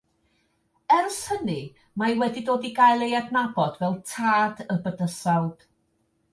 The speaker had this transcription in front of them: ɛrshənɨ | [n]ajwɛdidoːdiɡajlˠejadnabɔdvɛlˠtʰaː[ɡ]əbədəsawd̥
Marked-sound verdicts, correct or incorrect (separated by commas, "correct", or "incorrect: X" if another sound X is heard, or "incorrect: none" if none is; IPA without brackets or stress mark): incorrect: m, incorrect: d